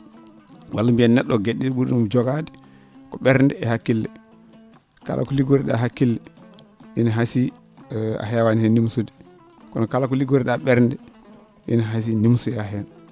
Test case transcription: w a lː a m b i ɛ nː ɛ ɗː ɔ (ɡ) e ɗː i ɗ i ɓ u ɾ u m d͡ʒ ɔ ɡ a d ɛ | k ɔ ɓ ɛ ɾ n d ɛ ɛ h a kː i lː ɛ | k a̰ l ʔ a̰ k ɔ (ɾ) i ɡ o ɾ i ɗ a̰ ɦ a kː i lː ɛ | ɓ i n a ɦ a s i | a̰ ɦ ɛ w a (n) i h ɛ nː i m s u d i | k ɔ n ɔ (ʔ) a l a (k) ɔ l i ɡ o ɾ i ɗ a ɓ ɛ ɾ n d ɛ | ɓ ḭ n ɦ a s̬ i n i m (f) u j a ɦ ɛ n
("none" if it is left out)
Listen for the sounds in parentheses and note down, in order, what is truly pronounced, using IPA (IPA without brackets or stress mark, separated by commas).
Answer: ɡ, l, n, k, k, s